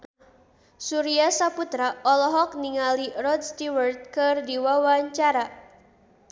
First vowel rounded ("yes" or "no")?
yes